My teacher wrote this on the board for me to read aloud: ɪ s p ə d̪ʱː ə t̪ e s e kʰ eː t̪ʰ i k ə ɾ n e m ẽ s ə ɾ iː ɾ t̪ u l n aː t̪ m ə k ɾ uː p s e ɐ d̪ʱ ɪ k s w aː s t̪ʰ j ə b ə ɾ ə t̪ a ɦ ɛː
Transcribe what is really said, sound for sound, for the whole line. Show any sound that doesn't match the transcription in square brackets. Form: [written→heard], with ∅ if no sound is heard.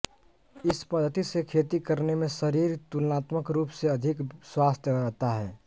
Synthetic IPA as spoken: ɪ s p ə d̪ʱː ə t̪ [e→i] s e kʰ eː [t̪ʰ→t̪] i k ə ɾ n e m ẽ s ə ɾ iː ɾ t̪ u l n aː t̪ m ə k ɾ uː p s e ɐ d̪ʱ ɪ k s w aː s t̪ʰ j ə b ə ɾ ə t̪ a ɦ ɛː